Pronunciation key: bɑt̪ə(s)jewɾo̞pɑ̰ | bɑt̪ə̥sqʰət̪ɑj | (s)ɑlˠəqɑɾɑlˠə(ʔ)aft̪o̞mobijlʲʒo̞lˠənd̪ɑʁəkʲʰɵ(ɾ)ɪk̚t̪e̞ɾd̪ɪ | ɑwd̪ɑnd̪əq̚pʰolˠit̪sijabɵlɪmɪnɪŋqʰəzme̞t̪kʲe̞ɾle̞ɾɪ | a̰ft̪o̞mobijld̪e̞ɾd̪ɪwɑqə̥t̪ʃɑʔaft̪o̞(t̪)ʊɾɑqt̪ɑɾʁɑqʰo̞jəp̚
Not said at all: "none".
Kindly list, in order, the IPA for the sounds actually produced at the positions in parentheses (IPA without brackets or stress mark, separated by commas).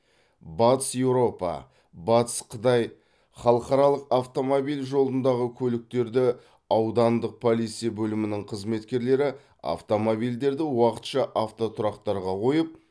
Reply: s, χ, q, l, t̪ʰ